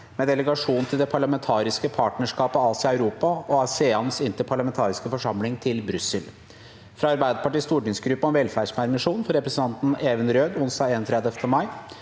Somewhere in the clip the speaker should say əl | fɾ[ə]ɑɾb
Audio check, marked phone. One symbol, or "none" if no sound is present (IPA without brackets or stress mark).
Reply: ɑ